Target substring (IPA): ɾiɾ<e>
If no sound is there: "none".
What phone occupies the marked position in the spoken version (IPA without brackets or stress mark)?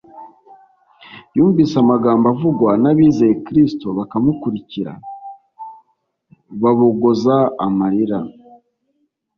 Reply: a